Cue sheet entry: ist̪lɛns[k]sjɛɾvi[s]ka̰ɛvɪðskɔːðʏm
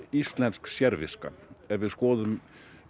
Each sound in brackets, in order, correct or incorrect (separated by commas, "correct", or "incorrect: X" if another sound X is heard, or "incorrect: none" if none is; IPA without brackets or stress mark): correct, correct